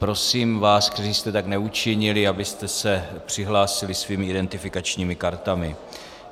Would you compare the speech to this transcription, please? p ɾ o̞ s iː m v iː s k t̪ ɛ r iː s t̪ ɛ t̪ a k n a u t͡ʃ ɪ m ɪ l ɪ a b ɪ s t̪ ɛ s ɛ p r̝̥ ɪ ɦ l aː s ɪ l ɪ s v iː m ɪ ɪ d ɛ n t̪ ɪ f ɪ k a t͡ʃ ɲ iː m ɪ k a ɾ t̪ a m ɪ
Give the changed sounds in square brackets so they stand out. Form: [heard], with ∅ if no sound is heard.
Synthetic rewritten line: p ɾ o̞ s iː m v [aː] s k t̪ ɛ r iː s t̪ ɛ t̪ a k n [ɛ] u t͡ʃ ɪ [ɲ] ɪ l ɪ a b ɪ s t̪ ɛ s ɛ p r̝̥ ɪ ɦ l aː s ɪ l ɪ s v iː m ɪ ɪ d ɛ n t̪ ɪ f ɪ k a t͡ʃ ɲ iː m ɪ k a ɾ t̪ a m ɪ